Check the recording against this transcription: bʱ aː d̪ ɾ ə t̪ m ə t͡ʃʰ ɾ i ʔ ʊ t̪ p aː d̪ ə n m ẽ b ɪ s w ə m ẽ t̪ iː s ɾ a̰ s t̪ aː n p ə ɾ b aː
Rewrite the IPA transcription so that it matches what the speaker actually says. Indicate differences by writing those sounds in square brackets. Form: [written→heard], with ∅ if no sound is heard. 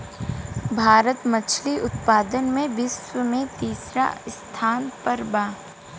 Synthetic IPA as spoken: bʱ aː [d̪→∅] ɾ ə t̪ m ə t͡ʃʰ [ɾ→l] i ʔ ʊ t̪ p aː d̪ ə n m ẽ b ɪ s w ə m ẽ t̪ iː s ɾ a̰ s [t̪→t̪ʰ] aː n p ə ɾ b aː